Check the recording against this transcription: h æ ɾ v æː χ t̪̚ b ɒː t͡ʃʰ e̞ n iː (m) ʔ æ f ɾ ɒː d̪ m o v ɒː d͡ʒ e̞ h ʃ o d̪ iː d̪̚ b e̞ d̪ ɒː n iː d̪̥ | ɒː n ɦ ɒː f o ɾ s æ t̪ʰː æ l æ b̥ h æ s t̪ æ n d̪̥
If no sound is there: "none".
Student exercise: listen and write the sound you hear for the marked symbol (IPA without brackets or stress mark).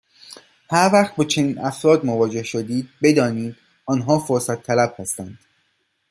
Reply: n